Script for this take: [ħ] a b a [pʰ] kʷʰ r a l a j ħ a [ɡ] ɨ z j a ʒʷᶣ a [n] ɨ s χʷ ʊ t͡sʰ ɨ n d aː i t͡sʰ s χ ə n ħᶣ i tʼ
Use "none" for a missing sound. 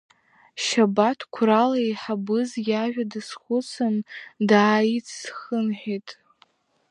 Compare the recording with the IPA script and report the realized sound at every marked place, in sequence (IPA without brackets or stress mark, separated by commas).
ʃ, tʰ, b, d